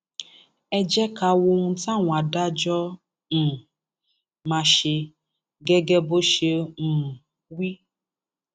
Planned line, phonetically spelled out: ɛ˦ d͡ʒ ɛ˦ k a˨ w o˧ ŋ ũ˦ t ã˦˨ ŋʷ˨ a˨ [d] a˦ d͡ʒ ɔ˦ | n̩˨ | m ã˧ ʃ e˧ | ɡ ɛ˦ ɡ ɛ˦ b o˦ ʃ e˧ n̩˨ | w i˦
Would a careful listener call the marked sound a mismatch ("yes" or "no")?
no